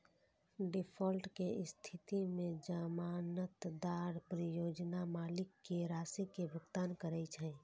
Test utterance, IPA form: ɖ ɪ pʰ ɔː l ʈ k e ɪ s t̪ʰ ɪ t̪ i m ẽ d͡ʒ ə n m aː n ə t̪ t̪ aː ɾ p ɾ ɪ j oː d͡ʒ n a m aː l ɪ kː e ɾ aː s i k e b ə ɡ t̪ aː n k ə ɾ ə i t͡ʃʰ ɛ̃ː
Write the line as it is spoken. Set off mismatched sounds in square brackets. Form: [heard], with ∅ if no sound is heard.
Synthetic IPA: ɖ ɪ pʰ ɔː l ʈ k e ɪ s t̪ʰ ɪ t̪ i m ẽ d͡ʒ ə [∅] m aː n ə t̪ [d̪] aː ɾ p ɾ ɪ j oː d͡ʒ n a m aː l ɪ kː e ɾ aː s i k e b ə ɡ t̪ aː n k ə ɾ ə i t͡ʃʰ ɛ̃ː